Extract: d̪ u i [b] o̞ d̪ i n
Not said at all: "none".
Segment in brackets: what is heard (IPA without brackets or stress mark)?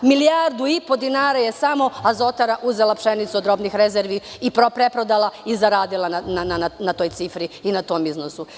p